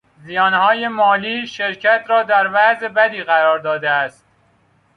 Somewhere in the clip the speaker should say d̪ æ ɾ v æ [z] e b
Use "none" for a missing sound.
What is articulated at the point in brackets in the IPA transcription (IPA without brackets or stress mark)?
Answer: z